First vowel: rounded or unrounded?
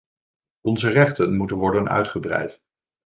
rounded